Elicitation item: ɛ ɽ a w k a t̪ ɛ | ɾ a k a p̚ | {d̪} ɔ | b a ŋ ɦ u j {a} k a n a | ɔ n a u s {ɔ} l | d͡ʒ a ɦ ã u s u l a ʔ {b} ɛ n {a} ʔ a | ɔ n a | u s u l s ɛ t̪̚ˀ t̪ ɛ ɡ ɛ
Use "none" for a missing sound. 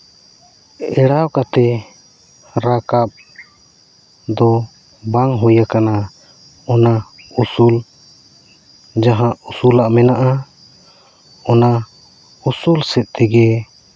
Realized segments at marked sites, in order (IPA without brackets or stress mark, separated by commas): d̪, a, u, m, a